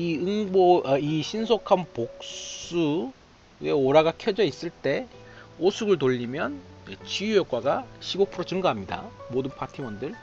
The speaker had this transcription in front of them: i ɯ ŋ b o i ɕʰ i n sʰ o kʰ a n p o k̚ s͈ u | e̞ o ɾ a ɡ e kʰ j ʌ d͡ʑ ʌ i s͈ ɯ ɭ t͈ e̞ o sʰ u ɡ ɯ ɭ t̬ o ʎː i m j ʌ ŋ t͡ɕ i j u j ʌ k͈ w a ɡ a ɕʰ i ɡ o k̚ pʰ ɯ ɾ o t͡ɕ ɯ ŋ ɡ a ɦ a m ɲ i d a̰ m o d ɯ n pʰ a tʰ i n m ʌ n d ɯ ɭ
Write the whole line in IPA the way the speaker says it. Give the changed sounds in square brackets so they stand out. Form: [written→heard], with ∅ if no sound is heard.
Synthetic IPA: i ɯ ŋ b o i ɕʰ i n sʰ o kʰ a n p o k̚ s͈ u | e̞ o ɾ a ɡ [e→a] kʰ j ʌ d͡ʑ ʌ i s͈ ɯ ɭ t͈ e̞ o sʰ u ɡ ɯ ɭ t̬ o ʎː i m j ʌ [ŋ→n] t͡ɕ i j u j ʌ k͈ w a ɡ a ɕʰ i ɡ o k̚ pʰ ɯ ɾ o t͡ɕ ɯ ŋ ɡ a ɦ a m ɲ i d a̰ m o d ɯ n pʰ a tʰ i [n→∅] m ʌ n d ɯ ɭ

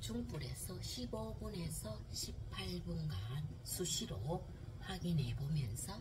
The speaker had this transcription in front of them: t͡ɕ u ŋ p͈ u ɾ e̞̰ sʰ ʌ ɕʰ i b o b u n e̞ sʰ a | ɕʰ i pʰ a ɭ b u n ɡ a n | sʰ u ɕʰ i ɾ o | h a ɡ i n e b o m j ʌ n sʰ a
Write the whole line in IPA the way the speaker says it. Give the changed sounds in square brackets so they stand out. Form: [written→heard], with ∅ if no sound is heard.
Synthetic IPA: t͡ɕ u ŋ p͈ u ɾ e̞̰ sʰ ʌ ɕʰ i b o b u n e̞ sʰ [a→ʌ] | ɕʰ i pʰ a ɭ b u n ɡ a n | sʰ u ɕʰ i ɾ o | h a ɡ i n e b o m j ʌ n sʰ [a→ʌ]

